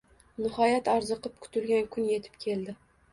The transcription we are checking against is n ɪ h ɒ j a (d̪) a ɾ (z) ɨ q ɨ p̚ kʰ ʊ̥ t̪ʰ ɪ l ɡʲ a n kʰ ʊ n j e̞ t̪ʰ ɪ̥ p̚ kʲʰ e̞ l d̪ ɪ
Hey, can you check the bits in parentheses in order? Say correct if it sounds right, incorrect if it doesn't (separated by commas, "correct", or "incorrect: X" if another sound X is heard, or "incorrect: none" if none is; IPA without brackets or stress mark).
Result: incorrect: t̪, correct